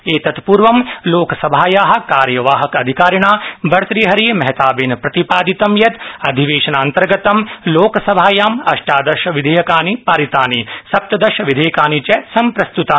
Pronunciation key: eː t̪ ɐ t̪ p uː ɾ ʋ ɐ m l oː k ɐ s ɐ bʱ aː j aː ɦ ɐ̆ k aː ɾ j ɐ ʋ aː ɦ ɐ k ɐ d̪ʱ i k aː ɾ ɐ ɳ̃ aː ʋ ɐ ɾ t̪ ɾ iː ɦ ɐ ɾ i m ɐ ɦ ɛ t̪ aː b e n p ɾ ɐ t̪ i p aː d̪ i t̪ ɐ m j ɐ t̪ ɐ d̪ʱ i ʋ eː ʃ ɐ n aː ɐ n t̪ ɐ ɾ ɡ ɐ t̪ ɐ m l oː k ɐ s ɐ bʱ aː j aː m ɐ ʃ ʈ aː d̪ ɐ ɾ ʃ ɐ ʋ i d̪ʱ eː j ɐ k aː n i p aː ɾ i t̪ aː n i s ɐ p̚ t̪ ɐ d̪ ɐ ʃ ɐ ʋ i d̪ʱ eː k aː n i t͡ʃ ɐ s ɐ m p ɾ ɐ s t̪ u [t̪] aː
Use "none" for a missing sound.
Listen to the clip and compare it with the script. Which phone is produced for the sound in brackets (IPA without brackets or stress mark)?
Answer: t̪